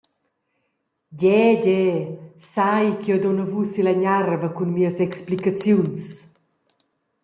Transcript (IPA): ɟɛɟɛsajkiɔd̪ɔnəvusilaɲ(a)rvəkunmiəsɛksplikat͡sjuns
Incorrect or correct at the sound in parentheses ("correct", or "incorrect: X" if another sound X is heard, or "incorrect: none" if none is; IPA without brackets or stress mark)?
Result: correct